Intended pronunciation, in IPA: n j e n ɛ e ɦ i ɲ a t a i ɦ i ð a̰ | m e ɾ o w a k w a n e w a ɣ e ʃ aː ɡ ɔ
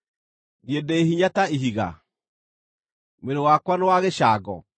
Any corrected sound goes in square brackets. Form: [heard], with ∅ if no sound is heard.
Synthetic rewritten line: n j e [d] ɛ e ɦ i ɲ a t a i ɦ i [ɣ] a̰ | m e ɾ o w a k w a n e w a ɣ e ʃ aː ɡ ɔ